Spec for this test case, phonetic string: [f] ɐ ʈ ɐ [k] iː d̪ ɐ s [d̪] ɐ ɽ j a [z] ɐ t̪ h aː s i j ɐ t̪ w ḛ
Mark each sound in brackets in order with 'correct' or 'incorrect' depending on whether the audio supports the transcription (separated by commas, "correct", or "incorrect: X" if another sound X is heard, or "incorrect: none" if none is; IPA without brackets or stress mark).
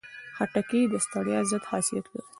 incorrect: h, correct, incorrect: t̪, correct